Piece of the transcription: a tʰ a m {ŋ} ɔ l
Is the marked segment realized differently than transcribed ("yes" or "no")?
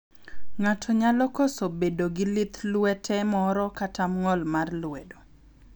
no